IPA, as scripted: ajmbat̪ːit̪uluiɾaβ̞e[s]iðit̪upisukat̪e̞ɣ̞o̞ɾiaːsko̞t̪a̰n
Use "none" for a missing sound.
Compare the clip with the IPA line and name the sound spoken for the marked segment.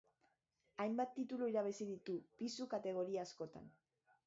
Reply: s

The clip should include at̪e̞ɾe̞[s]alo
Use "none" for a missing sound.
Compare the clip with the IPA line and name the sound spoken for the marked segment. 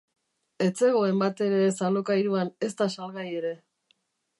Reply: s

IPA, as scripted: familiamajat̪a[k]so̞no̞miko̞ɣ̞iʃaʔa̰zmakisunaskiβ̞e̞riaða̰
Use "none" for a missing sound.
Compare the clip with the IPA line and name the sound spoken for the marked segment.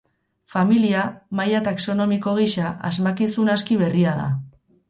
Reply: k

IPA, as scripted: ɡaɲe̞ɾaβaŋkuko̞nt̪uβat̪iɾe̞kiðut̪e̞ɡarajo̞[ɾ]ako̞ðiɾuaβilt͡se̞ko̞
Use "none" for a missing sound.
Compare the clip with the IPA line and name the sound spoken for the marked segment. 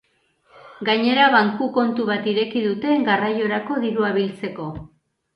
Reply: ɾ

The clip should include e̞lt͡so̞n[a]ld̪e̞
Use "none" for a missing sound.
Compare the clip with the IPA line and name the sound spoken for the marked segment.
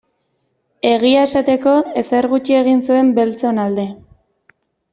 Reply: a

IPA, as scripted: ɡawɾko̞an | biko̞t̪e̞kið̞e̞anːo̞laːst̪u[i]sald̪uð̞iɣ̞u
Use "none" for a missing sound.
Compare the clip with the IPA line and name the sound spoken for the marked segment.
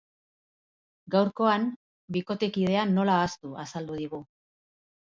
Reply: a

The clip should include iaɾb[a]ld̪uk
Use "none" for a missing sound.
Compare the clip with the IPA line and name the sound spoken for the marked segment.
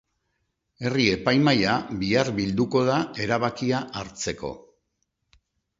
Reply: i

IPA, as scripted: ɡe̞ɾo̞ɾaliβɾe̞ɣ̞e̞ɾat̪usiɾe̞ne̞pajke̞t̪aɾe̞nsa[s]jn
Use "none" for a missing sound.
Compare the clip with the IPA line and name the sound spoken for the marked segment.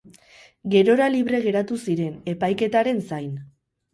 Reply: none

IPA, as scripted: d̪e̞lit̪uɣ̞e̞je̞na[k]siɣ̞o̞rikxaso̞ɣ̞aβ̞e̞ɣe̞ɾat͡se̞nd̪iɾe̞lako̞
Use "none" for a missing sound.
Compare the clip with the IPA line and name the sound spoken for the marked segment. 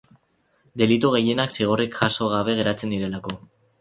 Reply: k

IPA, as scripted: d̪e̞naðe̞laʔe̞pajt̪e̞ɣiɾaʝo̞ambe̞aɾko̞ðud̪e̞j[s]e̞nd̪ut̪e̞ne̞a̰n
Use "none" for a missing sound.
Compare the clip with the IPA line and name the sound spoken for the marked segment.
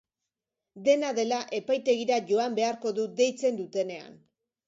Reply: t͡s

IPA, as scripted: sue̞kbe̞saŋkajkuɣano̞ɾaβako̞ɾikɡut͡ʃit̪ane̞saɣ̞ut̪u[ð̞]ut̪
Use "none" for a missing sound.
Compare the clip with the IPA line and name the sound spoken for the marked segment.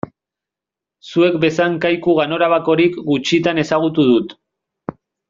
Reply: ð̞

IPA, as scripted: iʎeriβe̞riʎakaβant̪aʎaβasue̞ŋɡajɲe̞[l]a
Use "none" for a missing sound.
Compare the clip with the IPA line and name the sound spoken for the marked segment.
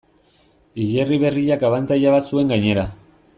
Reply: ɾ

